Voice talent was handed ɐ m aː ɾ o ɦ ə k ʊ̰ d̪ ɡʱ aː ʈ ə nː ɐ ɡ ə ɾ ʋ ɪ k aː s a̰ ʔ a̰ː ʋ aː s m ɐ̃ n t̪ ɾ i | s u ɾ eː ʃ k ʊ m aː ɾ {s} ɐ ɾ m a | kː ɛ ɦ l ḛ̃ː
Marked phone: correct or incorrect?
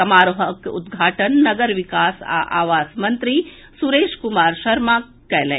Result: incorrect